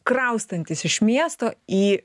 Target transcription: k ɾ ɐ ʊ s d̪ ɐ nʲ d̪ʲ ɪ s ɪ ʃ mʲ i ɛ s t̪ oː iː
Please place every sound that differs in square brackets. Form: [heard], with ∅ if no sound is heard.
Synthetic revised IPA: k ɾ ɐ ʊ s [t̪] ɐ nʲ [t̪ʲ] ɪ s ɪ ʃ mʲ i ɛ s t̪ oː iː

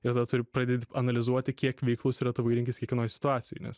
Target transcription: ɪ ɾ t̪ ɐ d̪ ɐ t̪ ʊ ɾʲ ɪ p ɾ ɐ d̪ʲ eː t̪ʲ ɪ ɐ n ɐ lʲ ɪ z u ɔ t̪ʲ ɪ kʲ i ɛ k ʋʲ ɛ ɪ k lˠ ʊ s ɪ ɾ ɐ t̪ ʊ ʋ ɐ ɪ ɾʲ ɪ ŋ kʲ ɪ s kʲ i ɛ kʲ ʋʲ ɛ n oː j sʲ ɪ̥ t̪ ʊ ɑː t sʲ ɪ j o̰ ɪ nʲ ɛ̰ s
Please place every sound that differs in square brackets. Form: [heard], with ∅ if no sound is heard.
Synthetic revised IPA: ɪ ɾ t̪ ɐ d̪ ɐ t̪ ʊ ɾʲ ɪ p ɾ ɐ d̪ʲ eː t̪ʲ ɪ ɐ n ɐ lʲ ɪ z u ɔ t̪ʲ ɪ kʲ i ɛ k ʋʲ ɛ ɪ k lˠ ʊ s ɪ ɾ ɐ t̪ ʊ ʋ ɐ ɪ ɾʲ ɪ ŋ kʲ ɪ s kʲ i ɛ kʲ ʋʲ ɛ n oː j sʲ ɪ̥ t̪ ʊ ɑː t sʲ ɪ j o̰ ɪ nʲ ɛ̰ s

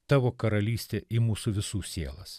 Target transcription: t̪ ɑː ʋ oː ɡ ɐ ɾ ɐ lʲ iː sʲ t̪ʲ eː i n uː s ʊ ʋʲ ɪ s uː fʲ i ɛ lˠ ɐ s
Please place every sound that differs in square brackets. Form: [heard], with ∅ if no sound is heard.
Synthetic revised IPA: t̪ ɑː ʋ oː [k] ɐ ɾ ɐ lʲ iː sʲ t̪ʲ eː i [m] uː s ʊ ʋʲ ɪ s uː [sʲ] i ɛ lˠ ɐ s

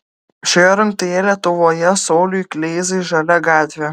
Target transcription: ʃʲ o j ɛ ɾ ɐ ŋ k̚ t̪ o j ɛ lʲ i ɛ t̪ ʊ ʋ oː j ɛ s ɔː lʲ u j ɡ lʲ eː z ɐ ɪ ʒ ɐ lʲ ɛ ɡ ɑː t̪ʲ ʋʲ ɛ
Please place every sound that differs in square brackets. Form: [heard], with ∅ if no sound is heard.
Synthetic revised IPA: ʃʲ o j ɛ ɾ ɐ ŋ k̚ t̪ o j ɛ lʲ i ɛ t̪ ʊ ʋ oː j ɛ s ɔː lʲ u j [k] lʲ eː z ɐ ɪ ʒ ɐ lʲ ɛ ɡ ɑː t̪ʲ ʋʲ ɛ

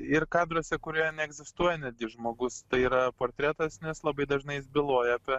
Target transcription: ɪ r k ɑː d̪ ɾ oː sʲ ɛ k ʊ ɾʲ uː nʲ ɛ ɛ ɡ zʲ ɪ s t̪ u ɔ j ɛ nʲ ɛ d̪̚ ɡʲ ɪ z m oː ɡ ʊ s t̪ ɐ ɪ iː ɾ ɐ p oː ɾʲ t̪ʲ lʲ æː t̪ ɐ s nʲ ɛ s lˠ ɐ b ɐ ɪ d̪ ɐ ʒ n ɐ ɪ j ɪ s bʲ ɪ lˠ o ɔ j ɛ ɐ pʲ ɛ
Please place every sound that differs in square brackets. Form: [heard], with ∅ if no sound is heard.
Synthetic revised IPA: ɪ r k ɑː d̪ ɾ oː sʲ ɛ k ʊ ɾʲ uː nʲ ɛ ɛ ɡ zʲ ɪ s t̪ u ɔ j ɛ nʲ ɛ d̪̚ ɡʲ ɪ [ʒ] m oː ɡ ʊ s t̪ ɐ ɪ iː ɾ ɐ p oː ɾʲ t̪ʲ [ɾʲ] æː t̪ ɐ s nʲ ɛ s lˠ ɐ b ɐ ɪ d̪ ɐ ʒ n ɐ ɪ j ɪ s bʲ ɪ lˠ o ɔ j ɛ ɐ pʲ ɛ

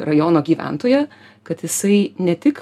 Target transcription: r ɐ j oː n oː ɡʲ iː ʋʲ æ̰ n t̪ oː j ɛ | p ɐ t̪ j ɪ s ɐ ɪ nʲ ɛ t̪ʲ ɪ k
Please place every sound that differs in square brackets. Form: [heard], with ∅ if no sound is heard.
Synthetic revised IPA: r ɐ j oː n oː ɡʲ iː ʋʲ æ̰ n t̪ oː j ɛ | [k] ɐ t̪ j ɪ s ɐ ɪ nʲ ɛ t̪ʲ ɪ k

